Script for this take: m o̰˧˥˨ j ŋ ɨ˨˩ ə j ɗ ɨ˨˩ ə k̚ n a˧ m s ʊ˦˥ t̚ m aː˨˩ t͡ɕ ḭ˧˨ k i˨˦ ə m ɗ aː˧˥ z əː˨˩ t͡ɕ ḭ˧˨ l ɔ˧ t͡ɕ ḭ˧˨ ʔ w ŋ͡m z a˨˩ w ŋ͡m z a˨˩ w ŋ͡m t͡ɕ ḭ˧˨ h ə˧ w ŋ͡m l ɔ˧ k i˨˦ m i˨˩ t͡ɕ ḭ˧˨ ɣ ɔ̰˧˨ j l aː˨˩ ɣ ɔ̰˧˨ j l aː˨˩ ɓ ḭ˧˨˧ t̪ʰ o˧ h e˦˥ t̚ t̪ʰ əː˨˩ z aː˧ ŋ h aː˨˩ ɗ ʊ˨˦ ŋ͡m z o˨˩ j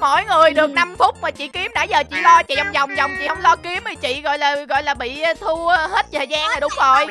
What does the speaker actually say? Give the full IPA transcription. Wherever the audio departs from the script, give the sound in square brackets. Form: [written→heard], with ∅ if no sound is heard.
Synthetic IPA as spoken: m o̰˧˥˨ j ŋ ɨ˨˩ ə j ɗ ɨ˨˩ ə k̚ n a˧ m [s→f] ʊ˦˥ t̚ m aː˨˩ t͡ɕ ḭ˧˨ k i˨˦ ə m ɗ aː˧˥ z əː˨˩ t͡ɕ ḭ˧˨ l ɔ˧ t͡ɕ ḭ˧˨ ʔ w ŋ͡m z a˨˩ w ŋ͡m z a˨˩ w ŋ͡m t͡ɕ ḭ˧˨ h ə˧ w ŋ͡m l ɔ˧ k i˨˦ m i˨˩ t͡ɕ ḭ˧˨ ɣ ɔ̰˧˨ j l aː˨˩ ɣ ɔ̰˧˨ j l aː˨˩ ɓ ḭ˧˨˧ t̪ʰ [o˧→u˧] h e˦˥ t̚ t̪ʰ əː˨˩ z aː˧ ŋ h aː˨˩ ɗ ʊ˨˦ ŋ͡m z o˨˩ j